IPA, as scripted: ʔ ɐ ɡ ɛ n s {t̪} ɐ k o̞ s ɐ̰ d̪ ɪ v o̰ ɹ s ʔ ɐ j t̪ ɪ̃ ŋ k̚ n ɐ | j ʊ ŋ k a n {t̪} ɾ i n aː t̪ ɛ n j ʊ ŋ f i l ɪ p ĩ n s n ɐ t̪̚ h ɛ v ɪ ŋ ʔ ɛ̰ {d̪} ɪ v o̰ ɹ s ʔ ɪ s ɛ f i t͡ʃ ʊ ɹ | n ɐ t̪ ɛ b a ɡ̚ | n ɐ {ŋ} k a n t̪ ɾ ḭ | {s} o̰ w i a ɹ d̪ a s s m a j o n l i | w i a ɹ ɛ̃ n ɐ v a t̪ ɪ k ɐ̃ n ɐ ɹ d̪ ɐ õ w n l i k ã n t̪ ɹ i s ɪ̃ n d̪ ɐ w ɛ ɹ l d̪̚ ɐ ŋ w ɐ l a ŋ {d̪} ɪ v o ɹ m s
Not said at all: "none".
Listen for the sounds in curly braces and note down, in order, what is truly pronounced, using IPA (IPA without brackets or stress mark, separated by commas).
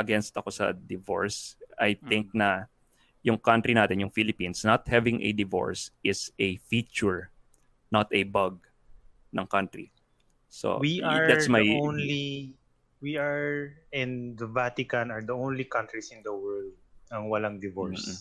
t̪, t̪, d̪, ŋ, s, d̪